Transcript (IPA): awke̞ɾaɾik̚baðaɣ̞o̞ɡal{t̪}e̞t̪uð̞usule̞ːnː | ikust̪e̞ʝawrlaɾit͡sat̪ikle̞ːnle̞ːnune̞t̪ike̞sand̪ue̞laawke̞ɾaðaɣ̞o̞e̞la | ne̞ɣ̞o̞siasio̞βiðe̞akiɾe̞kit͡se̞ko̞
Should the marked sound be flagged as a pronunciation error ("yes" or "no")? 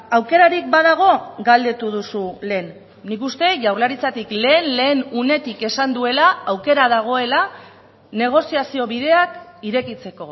yes